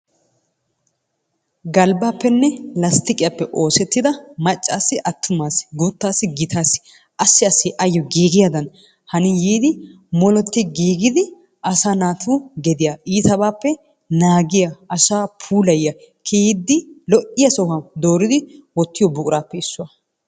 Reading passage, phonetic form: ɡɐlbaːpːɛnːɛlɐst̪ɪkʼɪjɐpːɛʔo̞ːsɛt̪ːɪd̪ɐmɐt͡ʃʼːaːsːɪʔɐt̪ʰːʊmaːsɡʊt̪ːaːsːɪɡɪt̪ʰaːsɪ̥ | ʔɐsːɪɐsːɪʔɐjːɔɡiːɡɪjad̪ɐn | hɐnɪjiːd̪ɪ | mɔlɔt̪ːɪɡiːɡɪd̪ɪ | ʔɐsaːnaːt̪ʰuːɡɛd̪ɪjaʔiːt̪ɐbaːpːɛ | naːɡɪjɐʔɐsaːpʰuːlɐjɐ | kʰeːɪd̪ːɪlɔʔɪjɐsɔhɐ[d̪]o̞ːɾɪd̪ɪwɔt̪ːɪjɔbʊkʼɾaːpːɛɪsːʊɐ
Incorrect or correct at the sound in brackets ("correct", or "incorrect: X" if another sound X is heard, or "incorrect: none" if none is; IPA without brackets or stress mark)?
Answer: correct